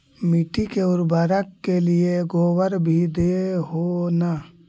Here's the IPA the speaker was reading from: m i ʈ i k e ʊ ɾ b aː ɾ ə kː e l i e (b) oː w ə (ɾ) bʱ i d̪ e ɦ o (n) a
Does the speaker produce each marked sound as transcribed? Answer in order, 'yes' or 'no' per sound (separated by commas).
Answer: no, yes, yes